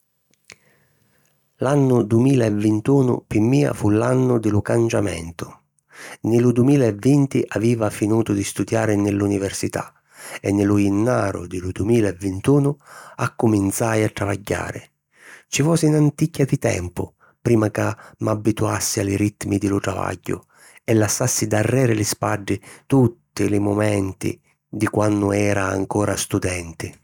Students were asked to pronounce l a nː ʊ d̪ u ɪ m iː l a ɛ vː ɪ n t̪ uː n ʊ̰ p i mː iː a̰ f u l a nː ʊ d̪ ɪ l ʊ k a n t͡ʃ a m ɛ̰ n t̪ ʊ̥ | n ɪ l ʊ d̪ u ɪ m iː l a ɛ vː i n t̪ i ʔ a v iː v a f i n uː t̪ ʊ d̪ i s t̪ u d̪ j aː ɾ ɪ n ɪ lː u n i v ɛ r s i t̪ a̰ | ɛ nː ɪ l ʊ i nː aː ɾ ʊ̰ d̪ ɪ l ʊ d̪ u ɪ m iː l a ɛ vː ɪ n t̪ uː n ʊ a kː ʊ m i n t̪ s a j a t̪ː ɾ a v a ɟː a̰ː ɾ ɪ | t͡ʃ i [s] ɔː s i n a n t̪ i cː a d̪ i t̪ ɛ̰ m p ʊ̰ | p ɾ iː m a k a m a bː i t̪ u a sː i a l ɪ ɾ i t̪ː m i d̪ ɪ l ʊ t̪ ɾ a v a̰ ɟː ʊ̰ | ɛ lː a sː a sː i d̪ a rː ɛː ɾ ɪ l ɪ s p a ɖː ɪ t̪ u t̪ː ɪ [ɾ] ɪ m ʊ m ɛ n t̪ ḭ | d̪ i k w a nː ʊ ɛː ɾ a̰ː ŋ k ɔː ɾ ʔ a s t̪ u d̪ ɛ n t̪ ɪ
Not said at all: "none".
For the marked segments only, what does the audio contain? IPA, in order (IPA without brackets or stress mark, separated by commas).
f, l